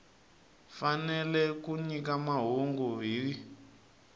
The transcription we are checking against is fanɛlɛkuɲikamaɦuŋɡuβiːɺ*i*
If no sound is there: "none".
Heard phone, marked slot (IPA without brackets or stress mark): i